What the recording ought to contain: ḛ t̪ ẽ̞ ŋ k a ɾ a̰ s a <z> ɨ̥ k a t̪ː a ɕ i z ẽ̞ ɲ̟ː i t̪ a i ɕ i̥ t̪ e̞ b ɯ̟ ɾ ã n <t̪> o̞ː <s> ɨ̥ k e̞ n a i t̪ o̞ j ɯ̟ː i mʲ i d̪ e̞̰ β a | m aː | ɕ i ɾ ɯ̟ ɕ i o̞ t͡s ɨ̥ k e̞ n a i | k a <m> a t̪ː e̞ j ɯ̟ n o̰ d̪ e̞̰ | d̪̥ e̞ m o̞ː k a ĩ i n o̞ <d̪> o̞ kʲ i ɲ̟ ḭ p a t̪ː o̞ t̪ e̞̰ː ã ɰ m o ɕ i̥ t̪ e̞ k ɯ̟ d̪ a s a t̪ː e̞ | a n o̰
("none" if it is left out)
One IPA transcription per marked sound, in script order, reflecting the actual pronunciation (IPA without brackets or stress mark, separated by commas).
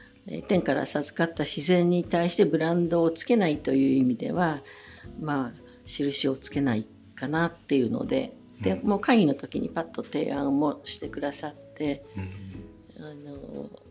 z, d̪, t͡s, n, t̪